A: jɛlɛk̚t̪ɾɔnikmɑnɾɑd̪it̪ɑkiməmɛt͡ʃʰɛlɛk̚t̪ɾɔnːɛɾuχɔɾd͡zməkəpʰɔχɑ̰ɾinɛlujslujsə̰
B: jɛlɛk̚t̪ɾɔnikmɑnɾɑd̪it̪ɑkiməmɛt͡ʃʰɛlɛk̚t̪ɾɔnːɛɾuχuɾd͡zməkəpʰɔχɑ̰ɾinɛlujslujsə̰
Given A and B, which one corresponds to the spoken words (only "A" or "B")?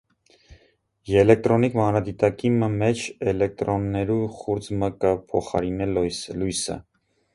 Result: B